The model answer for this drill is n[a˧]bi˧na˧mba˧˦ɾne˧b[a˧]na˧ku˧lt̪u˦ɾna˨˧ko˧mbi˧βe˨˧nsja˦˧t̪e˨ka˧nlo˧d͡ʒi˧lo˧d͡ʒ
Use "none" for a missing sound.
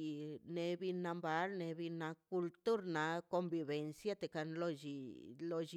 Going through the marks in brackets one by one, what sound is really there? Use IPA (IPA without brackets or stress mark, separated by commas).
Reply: e˧, i˧